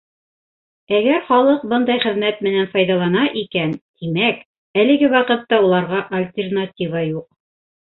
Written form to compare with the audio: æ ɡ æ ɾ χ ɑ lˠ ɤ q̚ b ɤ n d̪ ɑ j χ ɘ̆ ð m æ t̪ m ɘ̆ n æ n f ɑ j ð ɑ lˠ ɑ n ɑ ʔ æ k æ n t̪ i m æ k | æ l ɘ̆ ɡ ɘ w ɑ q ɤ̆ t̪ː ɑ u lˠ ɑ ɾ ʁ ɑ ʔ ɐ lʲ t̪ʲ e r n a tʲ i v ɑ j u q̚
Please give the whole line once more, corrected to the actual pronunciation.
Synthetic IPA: æ ɡ æ ɾ χ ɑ lˠ ɤ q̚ b ɤ n d̪ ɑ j χ ɘ̆ ð m æ t̪ m ɘ̆ n æ n f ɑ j ð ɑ lˠ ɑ n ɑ ʔ i k æ n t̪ i m æ k | æ l ɘ̆ ɡ ɘ w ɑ q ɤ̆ t̪ː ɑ u lˠ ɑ ɾ ʁ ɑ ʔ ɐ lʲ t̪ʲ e r n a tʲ i v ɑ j u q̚